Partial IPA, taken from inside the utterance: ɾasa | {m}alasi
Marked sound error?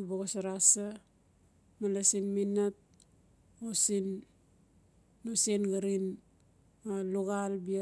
no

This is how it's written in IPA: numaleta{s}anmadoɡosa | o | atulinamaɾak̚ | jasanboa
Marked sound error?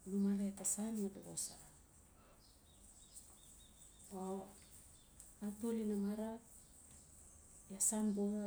no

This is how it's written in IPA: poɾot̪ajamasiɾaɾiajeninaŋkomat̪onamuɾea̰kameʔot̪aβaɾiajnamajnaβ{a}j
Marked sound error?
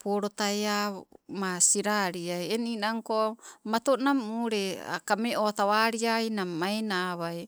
no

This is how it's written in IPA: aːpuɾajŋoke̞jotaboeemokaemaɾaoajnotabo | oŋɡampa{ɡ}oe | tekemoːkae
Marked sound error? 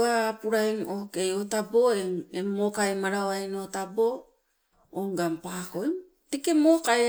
yes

